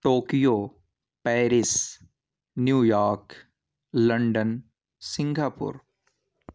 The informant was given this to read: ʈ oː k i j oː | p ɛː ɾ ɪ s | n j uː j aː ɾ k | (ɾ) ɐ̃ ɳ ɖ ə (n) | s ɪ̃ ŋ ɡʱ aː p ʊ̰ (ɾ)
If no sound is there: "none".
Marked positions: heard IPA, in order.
l, n, ɾ

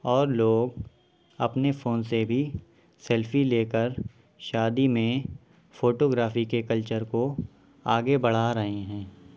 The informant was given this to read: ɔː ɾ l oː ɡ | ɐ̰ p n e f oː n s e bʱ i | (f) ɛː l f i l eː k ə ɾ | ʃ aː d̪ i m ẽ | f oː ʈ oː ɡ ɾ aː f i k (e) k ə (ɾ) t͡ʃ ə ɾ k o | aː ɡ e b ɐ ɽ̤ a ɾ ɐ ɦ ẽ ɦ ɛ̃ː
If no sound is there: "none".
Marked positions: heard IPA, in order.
s, e, l

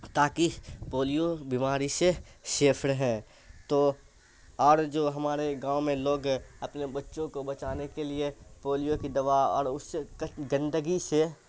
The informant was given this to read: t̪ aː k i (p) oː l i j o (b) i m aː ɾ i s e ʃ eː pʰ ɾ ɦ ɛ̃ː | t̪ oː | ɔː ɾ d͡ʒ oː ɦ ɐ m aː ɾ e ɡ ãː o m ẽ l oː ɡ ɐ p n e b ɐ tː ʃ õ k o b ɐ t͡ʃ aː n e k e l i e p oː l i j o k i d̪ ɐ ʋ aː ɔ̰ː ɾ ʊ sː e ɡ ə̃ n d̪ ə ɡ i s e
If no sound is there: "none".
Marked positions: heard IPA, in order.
p, b

